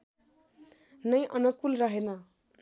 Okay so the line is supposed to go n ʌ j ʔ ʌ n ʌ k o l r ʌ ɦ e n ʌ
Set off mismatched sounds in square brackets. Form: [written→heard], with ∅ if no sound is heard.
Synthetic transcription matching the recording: n ʌ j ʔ ʌ n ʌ k [o→u] l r ʌ ɦ e n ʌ